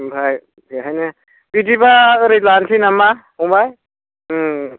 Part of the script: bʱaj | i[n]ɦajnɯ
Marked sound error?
yes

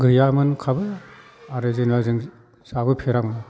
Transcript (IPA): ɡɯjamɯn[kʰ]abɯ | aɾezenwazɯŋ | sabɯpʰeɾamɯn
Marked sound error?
no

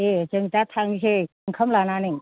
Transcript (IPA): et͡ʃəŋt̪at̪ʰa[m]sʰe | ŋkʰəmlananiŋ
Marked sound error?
yes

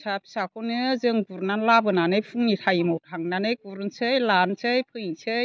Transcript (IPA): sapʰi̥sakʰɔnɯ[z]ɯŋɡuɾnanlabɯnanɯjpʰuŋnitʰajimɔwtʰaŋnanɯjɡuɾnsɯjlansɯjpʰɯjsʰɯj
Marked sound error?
no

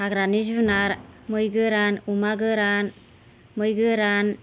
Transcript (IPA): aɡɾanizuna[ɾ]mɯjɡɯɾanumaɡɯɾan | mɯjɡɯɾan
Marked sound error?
no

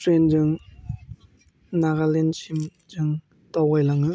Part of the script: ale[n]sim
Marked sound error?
no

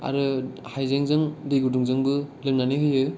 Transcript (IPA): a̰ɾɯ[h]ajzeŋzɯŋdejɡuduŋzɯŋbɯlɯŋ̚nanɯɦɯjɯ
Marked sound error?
no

